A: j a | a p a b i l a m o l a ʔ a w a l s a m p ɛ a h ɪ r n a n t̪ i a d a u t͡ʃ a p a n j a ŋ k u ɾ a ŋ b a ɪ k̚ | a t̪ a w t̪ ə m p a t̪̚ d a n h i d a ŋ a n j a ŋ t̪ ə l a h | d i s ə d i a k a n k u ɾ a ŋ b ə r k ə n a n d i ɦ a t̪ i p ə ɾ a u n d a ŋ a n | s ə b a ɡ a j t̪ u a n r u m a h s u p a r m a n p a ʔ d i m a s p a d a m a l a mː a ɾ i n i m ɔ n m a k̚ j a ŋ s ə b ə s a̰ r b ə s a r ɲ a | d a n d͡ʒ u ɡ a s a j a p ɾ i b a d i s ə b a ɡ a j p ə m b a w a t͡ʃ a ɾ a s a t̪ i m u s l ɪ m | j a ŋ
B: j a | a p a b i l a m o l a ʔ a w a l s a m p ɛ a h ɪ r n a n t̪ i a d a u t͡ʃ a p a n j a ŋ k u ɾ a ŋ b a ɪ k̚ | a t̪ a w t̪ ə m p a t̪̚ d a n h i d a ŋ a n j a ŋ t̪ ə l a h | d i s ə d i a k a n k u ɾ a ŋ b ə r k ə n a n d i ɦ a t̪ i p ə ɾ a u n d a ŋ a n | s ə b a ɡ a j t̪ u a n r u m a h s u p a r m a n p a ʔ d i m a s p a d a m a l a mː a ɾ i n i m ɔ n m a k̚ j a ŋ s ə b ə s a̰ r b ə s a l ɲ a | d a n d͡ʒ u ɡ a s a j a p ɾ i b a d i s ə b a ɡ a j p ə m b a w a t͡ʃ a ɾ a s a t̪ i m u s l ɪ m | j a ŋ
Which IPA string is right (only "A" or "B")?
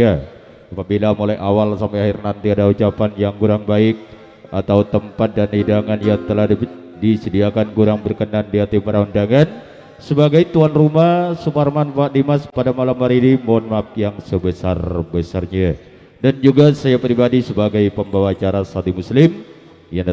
A